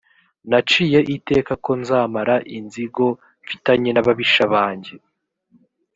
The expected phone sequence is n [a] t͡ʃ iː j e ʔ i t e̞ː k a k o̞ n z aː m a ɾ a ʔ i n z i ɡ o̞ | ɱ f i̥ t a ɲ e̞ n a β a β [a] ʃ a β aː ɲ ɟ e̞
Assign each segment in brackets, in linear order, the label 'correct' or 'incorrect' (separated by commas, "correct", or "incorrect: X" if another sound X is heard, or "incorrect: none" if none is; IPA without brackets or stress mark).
correct, incorrect: i